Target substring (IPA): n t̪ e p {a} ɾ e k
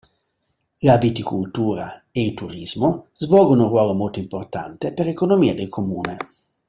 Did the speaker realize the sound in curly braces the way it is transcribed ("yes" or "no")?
no